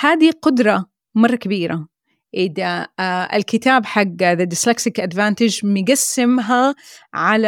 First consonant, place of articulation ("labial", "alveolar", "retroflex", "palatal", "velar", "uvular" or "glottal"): glottal